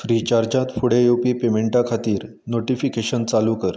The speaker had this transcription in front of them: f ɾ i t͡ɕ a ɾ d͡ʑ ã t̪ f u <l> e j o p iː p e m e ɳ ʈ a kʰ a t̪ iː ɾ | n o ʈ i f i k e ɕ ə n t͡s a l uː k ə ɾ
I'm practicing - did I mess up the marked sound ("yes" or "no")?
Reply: yes